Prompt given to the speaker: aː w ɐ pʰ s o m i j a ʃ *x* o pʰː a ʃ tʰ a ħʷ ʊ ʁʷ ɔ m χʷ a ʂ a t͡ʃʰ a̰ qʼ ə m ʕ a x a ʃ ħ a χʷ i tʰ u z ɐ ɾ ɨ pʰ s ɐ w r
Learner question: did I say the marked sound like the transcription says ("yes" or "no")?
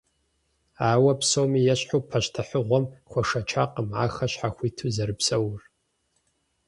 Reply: no